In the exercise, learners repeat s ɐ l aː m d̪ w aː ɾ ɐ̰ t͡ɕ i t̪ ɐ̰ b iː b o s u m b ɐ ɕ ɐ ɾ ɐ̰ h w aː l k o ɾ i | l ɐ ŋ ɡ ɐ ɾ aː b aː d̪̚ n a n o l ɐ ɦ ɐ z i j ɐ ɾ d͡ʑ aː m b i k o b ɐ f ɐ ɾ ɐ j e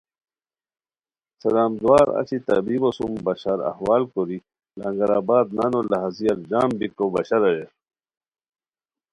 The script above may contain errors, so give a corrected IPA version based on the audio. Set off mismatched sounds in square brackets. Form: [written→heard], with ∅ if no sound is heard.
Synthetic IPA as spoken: s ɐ l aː m d̪ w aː ɾ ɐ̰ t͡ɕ i t̪ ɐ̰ b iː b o s u m b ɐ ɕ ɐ ɾ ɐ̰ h w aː l k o ɾ i | l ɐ ŋ ɡ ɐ ɾ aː b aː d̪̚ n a n o l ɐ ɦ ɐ z i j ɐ ɾ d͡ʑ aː m b i k o b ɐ [f→ɕ] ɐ ɾ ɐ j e

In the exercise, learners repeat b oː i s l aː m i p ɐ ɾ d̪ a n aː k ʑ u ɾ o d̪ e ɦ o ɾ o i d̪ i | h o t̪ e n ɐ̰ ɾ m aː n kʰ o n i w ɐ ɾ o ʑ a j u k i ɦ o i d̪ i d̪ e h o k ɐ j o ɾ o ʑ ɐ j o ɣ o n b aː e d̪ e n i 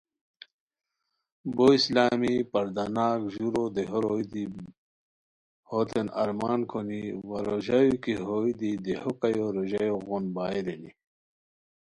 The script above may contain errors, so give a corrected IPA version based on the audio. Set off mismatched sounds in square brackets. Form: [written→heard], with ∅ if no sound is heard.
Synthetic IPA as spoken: b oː i s l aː m i p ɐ ɾ d̪ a n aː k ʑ u ɾ o d̪ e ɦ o ɾ o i d̪ i | h o t̪ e n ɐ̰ ɾ m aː n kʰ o n i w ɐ ɾ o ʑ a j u k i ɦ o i d̪ i d̪ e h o k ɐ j o ɾ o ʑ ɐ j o ɣ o n b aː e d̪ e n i

